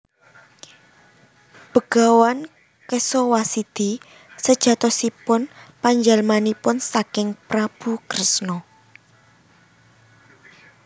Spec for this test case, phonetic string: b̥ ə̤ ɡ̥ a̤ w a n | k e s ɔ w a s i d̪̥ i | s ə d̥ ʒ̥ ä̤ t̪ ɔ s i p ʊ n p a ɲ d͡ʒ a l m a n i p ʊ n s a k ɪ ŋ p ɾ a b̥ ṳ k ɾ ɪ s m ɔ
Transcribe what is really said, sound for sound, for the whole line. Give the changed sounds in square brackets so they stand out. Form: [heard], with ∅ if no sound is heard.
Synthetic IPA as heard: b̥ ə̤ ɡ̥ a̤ w a n | k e s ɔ w a s i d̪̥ i | s ə d̥ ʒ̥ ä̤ t̪ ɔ s i p ʊ n p a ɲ d͡ʒ a l m a n i p ʊ n s a k ɪ ŋ p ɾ a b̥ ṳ k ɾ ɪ s [n] ɔ